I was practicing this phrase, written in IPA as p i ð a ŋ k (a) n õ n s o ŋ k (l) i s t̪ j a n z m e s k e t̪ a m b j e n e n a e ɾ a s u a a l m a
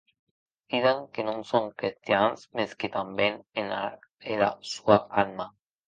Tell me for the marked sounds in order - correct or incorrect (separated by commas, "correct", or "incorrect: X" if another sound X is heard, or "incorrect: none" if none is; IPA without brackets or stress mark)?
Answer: incorrect: e, incorrect: ɾ